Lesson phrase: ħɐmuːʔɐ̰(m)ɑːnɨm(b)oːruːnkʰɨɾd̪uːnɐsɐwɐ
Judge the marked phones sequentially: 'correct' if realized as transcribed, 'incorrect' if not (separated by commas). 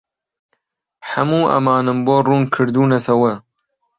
correct, correct